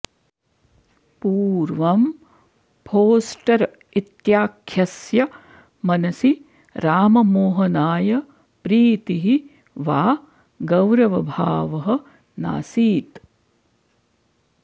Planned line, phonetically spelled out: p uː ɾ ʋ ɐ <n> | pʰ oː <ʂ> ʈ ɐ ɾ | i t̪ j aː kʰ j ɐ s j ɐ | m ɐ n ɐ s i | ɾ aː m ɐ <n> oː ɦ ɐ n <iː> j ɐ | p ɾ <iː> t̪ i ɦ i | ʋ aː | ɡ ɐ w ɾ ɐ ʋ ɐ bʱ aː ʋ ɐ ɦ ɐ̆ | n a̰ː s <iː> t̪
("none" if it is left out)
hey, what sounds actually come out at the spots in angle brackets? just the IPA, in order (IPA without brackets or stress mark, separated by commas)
m, s, m, aː, iː, iː